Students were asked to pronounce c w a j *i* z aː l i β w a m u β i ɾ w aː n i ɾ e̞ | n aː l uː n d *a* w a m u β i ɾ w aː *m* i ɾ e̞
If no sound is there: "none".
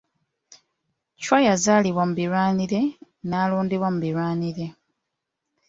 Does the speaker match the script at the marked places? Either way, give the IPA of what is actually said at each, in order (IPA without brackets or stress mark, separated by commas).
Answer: a, i, n